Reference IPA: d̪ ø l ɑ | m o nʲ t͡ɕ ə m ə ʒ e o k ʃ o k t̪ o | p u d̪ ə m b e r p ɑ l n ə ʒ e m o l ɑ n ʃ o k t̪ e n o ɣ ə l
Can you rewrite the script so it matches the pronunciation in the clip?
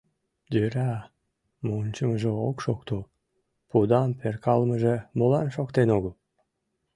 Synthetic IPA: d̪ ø ɾ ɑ | m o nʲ t͡ɕ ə m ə ʒ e o k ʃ o k t̪ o | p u d̪ ɑ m p e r k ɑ l m ə ʒ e m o l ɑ n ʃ o k t̪ e n o ɣ ə l